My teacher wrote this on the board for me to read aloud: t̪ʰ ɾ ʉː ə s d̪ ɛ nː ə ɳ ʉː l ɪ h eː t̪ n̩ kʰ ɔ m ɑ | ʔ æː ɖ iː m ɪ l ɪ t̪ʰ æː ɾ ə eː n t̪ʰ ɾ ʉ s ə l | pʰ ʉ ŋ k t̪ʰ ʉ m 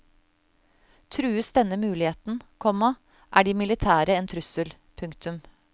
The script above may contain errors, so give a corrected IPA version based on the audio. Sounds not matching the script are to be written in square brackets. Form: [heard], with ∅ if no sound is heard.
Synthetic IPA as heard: t̪ʰ ɾ ʉː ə s d̪ ɛ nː ə [m] ʉː l ɪ h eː t̪ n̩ kʰ ɔ m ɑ | ʔ æː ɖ iː m ɪ l ɪ t̪ʰ æː ɾ ə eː n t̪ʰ ɾ ʉ s ə l | pʰ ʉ ŋ k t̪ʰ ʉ m